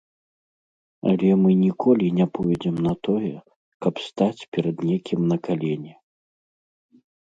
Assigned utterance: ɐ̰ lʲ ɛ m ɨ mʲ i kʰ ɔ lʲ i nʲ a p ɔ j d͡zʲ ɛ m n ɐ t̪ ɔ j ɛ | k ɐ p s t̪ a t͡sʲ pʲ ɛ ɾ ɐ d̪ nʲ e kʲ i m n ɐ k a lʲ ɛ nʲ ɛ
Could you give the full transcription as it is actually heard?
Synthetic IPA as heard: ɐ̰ lʲ ɛ m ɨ nʲ i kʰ ɔ lʲ i nʲ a p ɔ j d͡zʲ ɛ m n ɐ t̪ ɔ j ɛ | k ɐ p s t̪ a t͡sʲ pʲ ɛ ɾ ɐ d̪ nʲ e kʲ i m n ɐ k a lʲ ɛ nʲ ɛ